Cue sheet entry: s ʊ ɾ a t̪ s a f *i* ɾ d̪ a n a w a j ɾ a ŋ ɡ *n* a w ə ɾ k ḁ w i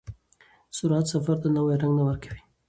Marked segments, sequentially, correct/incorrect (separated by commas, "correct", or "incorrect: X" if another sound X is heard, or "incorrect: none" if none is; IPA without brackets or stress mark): incorrect: a, correct